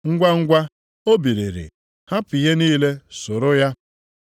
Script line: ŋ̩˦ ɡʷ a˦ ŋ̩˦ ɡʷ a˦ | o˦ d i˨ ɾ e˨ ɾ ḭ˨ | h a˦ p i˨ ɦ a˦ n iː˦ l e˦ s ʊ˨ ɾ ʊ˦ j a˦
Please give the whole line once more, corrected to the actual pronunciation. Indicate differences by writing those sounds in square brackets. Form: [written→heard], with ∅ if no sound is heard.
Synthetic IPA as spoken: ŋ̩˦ ɡʷ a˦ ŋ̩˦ ɡʷ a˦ | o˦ [d→b] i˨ ɾ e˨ ɾ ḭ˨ | h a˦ p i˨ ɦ [a˦→e˦] n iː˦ l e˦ s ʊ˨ ɾ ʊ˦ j a˦